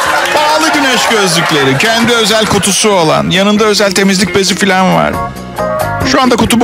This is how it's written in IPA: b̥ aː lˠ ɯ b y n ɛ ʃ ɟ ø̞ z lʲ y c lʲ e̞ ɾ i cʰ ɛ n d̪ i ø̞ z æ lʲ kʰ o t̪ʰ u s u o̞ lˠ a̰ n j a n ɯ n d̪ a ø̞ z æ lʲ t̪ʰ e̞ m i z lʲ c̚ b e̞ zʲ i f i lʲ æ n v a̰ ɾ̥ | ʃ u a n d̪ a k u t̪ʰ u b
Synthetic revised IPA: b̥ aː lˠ ɯ ɟ y n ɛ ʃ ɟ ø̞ z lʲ y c lʲ e̞ ɾ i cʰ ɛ n d̪ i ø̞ z æ lʲ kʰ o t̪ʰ u s u o̞ lˠ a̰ n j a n ɯ n d̪ a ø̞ z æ lʲ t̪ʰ e̞ m i z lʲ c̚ b e̞ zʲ i f i lʲ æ n v a̰ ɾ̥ | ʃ u a n d̪ a k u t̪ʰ u b

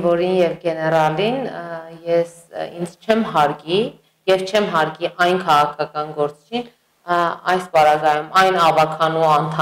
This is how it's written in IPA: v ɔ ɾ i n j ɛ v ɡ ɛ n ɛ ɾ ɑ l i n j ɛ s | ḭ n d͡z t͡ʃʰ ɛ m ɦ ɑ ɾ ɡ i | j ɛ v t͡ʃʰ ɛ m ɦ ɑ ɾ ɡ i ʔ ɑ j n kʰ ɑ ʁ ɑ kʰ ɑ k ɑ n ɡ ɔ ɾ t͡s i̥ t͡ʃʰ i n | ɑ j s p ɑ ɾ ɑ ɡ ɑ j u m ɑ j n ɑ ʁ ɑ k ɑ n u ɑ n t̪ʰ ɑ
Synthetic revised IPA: v ɔ ɾ i n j ɛ v ɡ ɛ n ɛ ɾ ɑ l i n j ɛ s | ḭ n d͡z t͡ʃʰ ɛ m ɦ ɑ ɾ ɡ i | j ɛ v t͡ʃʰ ɛ m ɦ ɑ ɾ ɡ i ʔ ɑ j n kʰ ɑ ʁ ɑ kʰ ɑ k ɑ n ɡ ɔ ɾ t͡s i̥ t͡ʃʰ i n | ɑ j s p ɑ ɾ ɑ ɡ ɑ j u m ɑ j n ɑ v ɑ kʰ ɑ n u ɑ n t̪ʰ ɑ

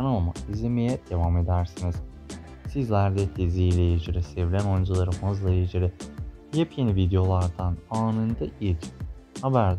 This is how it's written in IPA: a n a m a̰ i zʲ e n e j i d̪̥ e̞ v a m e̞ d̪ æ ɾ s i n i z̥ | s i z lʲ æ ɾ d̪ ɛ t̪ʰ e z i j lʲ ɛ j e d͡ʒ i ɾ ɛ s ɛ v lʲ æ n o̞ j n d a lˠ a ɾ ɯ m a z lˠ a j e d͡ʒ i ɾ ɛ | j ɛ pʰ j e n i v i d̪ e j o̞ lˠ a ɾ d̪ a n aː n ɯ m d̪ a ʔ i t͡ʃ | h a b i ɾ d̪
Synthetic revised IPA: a n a m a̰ i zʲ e m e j ɛ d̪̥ e̞ v a m e̞ d̪ æ ɾ s i n i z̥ | s i z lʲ æ ɾ d̪ ɛ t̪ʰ e z i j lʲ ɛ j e d͡ʒ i ɾ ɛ s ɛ v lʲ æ n o̞ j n d͡ʒ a lˠ a ɾ ɯ m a z lˠ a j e d͡ʒ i ɾ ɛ | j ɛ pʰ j e n i v i d̪ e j o̞ lˠ a ɾ d̪ a n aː n ɯ n d̪ a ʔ i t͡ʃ | h a b æ ɾ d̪

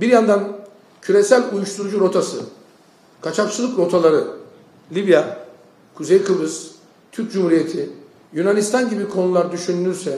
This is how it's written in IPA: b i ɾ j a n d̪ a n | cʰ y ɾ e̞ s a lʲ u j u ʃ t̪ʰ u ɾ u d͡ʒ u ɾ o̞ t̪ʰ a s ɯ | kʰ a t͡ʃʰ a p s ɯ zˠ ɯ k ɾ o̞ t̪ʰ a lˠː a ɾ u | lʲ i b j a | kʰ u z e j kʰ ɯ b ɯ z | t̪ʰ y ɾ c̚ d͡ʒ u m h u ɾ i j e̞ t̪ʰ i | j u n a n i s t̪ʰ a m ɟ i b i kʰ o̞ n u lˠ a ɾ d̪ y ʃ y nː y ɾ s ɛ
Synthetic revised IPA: b i ɾ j a n d̪ a n | cʰ y ɾ e̞ s æ lʲ u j u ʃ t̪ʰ u ɾ u d͡ʒ u ɾ o̞ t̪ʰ a s ɯ | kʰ a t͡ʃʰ a p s ɯ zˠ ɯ k ɾ o̞ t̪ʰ a lˠ a ɾ ɯ | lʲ i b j a | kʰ u z e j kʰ ɯ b ɯ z | t̪ʰ y ɾ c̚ d͡ʒ u m h u ɾ i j e̞ t̪ʰ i | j u n a n i s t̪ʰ a n ɟ i b i kʰ o̞ n u lˠ a ɾ d̪ y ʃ y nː y ɾ s ɛ

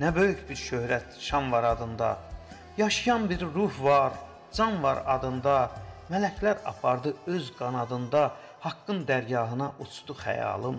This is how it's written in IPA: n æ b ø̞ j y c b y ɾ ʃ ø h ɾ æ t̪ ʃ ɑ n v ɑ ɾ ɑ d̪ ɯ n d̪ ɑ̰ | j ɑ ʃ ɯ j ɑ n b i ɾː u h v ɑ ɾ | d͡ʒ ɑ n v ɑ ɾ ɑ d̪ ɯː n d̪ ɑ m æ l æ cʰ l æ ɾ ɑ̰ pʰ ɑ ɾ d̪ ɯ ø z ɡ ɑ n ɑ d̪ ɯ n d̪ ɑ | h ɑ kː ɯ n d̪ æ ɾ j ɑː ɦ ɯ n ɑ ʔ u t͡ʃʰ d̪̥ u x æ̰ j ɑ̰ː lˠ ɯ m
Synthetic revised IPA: n æ b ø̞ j y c b i ɾ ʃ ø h ɾ æ t̪ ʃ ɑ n v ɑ ɾ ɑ d̪ ɯ n d̪ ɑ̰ | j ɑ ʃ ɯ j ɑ n b i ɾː u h v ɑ ɾ | d͡ʒ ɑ n v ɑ ɾ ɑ d̪ ɯ n d̪ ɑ m æ l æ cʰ l æ ɾ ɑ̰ pʰ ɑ ɾ d̪ ɯ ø z ɡ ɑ n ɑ d̪ ɯ n d̪ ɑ | h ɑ kː ɯ n d̪ æ ɾ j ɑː ɦ ɯ n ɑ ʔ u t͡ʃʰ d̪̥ u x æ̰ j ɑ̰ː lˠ ɯ m

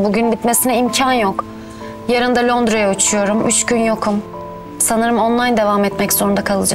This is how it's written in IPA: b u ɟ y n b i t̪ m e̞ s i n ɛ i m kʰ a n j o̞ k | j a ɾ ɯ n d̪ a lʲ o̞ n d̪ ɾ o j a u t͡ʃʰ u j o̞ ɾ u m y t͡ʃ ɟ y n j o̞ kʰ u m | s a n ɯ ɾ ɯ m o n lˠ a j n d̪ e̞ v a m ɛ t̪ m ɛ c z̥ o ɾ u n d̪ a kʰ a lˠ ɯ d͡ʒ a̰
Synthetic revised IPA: b u ɟ y n b i t̪ m e̞ s i n ɛ i m cʰ a n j o̞ k | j a ɾ ɯ n d̪ a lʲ o̞ n d̪ ɾ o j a u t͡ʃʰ u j o̞ ɾ u m y t͡ʃ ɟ y n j o̞ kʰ u m | s a n ɯ ɾ ɯ m o n lˠ a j n d̪ e̞ v a m ɛ t̪ m ɛ c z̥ o ɾ u n d̪ a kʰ a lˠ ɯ d͡ʒ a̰

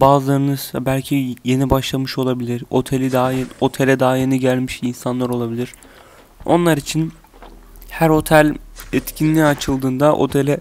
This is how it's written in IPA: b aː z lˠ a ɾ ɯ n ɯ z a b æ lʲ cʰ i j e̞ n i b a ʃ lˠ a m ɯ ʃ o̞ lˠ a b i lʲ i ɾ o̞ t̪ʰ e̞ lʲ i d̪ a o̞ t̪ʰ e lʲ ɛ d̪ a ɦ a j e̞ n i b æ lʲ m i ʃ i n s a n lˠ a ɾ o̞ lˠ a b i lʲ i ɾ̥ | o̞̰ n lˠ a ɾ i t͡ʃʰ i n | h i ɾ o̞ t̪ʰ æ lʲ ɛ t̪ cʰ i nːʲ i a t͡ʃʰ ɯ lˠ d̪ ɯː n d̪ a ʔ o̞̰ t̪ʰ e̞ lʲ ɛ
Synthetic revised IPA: b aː z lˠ a ɾ ɯ n ɯ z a b æ lʲ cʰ i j e̞ n i b a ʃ lˠ a m ɯ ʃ o̞ lˠ a b i lʲ i ɾ o̞ t̪ʰ e̞ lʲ i d̪ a o̞ t̪ʰ e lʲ ɛ d̪ a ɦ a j e̞ n i ɟ æ lʲ m i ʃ i n s a n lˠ a ɾ o̞ lˠ a b i lʲ i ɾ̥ | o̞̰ n lˠ a ɾ i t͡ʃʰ i n | h æ ɾ o̞ t̪ʰ æ lʲ ɛ t̪ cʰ i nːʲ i a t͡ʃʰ ɯ lˠ d̪ ɯː n d̪ a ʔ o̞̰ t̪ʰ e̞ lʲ ɛ

